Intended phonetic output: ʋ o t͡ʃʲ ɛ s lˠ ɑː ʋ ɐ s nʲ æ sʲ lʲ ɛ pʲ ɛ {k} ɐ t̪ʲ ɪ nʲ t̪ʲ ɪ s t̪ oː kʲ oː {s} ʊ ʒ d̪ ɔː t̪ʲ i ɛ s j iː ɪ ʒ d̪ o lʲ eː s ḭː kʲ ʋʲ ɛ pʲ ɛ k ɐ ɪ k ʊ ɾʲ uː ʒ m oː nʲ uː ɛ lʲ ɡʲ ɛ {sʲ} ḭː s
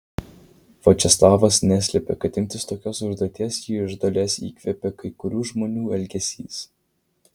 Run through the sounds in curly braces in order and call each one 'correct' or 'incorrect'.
correct, correct, correct

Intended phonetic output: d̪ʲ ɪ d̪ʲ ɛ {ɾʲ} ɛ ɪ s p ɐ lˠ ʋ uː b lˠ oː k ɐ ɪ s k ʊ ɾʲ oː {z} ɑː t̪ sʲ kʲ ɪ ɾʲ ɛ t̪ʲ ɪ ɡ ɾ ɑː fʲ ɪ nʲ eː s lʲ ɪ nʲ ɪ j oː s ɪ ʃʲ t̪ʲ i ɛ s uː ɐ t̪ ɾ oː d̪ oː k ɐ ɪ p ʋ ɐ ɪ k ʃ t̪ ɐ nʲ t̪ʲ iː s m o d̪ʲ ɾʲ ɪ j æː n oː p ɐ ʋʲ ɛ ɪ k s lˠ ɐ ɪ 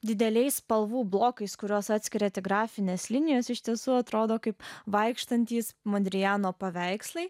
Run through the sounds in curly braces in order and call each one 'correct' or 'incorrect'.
incorrect: lʲ, incorrect: s

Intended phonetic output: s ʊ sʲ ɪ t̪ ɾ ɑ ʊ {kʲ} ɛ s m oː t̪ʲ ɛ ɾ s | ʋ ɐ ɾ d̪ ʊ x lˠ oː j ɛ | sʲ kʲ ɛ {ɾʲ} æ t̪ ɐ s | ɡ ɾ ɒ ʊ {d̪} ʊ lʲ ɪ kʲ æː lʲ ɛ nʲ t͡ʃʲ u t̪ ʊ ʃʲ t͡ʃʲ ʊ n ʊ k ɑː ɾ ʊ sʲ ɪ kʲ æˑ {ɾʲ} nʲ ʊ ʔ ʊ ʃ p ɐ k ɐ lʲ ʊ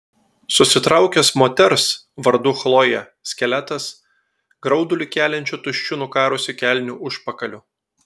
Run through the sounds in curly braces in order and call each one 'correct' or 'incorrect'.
correct, incorrect: lʲ, correct, incorrect: lʲ

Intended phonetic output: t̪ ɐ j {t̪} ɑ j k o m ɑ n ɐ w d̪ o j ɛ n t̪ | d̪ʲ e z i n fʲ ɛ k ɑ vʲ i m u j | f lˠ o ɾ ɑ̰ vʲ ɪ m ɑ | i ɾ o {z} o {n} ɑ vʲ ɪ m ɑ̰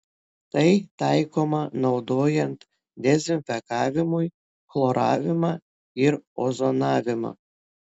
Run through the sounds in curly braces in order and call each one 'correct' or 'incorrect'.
correct, correct, correct

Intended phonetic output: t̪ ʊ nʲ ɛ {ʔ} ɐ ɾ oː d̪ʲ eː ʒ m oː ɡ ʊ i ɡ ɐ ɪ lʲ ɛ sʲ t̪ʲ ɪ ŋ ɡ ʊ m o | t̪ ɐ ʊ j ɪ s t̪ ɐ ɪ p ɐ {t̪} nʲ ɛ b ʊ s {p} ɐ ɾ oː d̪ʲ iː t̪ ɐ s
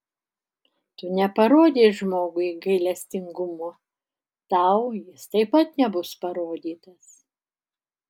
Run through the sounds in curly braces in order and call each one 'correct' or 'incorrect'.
incorrect: p, correct, correct

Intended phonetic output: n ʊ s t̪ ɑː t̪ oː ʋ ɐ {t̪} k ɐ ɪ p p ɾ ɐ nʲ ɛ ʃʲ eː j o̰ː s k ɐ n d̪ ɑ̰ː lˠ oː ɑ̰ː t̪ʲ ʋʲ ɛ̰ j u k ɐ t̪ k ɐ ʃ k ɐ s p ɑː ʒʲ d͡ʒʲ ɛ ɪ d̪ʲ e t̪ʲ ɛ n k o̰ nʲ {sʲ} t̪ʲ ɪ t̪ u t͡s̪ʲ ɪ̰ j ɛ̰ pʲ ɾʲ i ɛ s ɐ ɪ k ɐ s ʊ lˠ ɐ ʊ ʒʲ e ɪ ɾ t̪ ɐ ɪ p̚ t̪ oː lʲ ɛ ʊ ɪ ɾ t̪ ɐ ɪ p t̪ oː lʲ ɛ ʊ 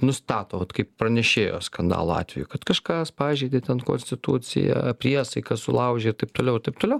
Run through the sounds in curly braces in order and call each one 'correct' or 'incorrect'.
correct, correct

